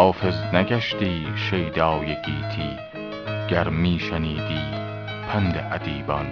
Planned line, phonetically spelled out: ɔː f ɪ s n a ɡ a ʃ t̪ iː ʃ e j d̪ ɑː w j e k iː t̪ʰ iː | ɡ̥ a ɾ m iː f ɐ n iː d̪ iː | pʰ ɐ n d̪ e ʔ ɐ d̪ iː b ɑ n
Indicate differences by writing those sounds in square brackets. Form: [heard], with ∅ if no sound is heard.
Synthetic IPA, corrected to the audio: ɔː f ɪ [z] n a ɡ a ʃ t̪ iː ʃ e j d̪ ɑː w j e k iː t̪ʰ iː | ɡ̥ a ɾ m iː [ʃ] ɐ n iː d̪ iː | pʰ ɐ n d̪ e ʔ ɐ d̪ iː b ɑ n